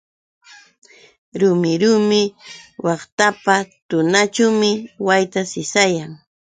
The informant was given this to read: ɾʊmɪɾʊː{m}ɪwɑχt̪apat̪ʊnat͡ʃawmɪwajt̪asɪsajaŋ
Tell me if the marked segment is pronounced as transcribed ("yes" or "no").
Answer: yes